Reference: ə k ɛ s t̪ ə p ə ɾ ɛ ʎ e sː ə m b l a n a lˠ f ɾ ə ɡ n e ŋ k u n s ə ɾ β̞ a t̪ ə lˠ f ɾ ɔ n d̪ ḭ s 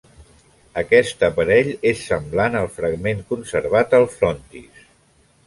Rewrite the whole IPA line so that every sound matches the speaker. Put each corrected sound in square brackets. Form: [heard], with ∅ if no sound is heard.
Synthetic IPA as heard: ə k ɛ s t̪ ə p ə ɾ ɛ ʎ e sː ə m b l a n [ə] lˠ f ɾ ə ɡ [m] e ŋ k u n s ə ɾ β̞ a t̪ ə lˠ f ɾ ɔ n [t̪] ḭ s